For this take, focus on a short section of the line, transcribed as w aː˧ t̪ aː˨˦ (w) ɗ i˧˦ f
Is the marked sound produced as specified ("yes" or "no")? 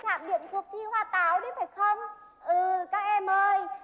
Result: yes